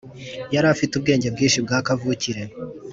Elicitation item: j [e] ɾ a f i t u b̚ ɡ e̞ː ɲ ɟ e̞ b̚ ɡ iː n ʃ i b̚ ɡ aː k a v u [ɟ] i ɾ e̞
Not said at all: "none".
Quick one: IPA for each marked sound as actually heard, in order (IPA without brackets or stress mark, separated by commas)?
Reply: a, c